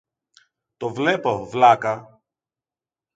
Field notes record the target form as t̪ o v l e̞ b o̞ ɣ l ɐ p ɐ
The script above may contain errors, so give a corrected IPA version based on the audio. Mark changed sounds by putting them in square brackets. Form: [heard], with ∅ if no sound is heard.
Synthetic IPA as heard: t̪ o v l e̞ [p] o̞ [v] l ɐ [k] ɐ